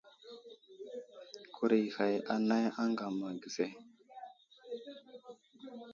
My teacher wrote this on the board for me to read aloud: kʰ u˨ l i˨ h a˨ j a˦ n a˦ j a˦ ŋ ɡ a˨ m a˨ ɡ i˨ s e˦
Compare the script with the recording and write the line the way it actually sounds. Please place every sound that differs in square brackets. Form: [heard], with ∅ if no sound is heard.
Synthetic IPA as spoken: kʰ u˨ [ɾ] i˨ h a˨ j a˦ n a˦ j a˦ ŋ ɡ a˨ m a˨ ɡ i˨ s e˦